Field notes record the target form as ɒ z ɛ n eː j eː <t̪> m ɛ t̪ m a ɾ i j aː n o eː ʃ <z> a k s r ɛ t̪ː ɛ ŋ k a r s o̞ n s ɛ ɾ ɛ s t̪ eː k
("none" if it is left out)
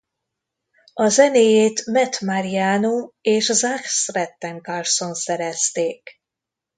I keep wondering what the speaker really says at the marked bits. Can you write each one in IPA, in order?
t̪, z

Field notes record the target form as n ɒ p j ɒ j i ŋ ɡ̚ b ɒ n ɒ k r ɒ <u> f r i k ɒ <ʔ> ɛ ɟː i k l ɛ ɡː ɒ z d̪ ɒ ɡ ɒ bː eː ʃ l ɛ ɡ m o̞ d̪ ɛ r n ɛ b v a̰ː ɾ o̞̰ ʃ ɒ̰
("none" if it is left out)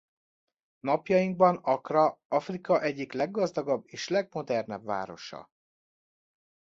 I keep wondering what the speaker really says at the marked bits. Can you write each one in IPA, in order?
ɒ, ʔ

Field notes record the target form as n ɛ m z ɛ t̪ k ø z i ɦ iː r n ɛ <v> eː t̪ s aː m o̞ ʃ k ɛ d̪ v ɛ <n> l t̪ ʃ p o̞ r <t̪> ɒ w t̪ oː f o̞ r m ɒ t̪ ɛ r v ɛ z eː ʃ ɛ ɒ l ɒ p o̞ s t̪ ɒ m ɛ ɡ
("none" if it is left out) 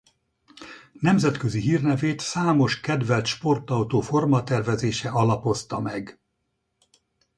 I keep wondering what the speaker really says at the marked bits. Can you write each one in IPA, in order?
v, none, t̪

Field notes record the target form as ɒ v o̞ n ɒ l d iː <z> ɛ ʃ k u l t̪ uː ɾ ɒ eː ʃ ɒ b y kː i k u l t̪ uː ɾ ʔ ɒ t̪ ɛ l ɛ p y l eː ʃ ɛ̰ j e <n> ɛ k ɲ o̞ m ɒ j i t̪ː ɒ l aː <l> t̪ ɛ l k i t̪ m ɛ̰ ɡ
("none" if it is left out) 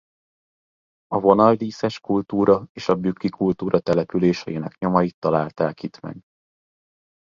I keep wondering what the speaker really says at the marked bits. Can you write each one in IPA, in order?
s, n, l

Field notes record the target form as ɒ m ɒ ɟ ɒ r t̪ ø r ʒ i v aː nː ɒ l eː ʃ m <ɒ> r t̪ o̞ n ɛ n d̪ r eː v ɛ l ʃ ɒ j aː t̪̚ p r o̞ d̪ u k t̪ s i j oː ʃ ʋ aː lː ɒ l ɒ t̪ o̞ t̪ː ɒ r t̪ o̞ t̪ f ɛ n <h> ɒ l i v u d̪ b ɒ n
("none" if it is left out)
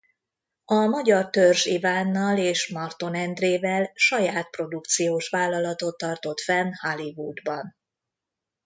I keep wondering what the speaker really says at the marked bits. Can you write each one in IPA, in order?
ɒ, h

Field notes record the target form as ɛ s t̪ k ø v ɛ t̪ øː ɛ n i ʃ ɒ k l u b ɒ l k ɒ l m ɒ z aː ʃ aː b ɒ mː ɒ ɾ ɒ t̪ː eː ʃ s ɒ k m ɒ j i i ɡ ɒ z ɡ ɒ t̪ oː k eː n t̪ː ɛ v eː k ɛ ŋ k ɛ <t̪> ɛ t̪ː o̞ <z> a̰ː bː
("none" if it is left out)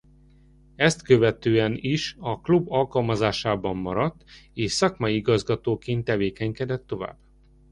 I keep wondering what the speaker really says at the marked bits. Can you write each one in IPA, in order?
d̪, v

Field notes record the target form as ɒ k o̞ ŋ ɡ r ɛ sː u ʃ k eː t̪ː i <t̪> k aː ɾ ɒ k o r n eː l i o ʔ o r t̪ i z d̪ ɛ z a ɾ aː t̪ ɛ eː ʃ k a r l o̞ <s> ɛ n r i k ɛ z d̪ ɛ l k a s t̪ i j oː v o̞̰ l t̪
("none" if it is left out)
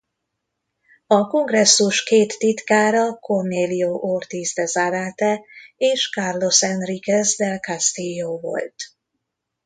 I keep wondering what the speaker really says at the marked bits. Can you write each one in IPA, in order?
t̪, s

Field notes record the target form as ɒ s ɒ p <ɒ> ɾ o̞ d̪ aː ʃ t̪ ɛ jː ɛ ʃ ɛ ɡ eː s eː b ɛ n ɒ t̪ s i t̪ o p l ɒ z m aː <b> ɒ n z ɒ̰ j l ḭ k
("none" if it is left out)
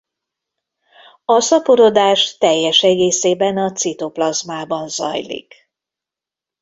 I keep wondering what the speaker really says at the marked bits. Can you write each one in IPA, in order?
o, b

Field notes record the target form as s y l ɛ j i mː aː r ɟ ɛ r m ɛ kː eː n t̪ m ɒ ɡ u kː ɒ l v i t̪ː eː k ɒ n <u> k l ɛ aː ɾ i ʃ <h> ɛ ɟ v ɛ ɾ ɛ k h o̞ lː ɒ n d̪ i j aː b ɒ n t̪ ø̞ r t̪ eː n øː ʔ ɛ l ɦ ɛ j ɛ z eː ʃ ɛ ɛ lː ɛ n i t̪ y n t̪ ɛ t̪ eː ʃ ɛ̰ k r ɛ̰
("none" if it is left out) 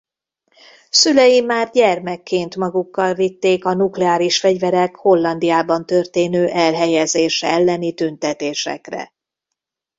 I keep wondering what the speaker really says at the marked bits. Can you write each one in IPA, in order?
u, f

